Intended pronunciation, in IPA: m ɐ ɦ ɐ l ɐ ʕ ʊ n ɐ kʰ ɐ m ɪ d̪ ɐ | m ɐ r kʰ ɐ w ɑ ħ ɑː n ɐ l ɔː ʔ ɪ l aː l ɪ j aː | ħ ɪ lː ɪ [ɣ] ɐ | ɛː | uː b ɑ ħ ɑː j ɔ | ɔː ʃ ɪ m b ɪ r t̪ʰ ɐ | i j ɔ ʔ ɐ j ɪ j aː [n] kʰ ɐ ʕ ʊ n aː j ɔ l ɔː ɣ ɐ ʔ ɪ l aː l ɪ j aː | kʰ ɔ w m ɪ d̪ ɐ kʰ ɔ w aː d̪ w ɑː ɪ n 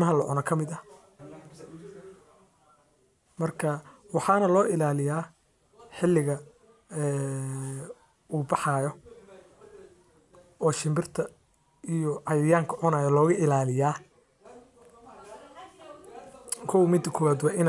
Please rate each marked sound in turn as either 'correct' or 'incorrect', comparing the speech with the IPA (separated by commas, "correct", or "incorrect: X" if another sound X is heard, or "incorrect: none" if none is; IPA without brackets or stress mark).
correct, incorrect: ŋ